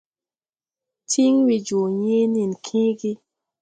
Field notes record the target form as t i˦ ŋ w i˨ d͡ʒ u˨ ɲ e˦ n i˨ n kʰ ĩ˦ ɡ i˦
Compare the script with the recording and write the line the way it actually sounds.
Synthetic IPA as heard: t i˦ ŋ w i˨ d͡ʒ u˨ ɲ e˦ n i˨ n kʰ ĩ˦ ɡ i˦